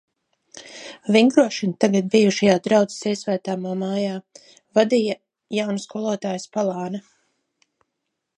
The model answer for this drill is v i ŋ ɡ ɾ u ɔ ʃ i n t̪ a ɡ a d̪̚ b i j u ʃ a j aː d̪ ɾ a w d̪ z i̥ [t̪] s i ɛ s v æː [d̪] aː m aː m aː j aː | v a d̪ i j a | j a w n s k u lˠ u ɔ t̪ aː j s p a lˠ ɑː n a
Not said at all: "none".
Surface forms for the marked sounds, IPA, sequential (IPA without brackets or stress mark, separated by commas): none, t̪